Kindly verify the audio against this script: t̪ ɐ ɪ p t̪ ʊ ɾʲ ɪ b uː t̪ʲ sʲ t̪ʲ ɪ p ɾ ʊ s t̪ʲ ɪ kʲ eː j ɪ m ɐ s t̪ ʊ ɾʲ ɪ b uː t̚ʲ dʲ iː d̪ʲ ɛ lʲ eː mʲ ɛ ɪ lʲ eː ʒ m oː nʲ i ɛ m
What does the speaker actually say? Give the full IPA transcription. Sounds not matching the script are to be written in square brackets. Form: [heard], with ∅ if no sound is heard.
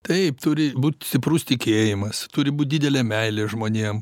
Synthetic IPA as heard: t̪ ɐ ɪ p t̪ ʊ ɾʲ ɪ b uː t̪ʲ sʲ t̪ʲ ɪ p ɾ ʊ s t̪ʲ ɪ kʲ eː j ɪ m ɐ s t̪ ʊ ɾʲ ɪ b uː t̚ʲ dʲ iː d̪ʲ ɛ lʲ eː mʲ ɛ ɪ lʲ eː ʒ m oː nʲ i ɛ m